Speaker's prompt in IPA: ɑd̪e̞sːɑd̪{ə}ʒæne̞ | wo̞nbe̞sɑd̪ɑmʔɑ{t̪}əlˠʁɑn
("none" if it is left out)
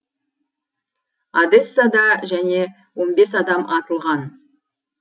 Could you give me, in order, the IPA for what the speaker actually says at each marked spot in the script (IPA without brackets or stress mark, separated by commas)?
ɑ, t̪